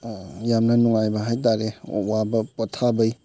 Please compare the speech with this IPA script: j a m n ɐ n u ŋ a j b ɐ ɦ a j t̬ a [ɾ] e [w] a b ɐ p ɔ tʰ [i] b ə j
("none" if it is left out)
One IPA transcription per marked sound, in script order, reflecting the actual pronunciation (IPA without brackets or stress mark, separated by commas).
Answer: ɾ, w, a